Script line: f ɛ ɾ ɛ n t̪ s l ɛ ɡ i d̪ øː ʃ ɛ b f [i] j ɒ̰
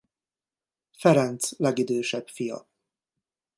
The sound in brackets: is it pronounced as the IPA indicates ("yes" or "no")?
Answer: yes